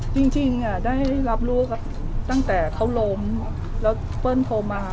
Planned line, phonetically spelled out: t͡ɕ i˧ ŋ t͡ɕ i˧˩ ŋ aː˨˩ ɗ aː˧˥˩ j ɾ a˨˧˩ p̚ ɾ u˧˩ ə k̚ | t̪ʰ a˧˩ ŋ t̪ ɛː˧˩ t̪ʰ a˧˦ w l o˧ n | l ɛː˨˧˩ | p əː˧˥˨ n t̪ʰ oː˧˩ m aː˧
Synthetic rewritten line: t͡ɕ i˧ ŋ t͡ɕ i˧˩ ŋ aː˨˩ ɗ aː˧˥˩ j l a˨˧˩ p̚ l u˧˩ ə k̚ | t̪ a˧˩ ŋ t̪ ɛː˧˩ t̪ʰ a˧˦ w l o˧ m | l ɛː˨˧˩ | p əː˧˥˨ n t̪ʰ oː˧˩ m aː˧